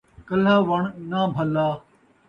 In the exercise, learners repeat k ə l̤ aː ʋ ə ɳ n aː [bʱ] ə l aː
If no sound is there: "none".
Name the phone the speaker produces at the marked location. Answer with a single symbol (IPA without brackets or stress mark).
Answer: bʱ